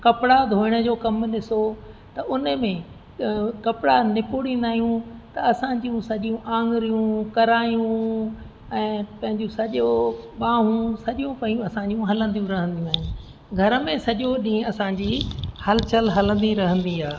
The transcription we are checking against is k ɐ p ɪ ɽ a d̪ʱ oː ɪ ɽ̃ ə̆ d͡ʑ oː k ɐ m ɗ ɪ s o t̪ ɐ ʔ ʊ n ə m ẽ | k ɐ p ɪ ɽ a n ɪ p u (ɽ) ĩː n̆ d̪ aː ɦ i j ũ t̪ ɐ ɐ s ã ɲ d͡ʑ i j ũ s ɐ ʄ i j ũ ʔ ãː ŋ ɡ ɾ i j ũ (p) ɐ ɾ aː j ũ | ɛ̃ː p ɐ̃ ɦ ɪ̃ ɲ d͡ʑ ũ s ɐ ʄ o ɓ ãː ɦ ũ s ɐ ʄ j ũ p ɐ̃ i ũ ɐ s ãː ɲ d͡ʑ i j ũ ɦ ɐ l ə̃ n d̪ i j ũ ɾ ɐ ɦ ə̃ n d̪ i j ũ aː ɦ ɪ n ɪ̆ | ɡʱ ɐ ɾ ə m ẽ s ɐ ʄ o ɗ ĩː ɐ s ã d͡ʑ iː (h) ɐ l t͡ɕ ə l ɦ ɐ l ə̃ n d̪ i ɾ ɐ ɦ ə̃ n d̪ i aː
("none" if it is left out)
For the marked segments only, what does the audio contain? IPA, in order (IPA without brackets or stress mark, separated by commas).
ɽ, k, h